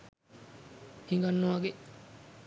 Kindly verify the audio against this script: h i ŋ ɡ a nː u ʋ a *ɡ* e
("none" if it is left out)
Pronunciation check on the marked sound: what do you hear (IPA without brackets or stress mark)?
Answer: ɡ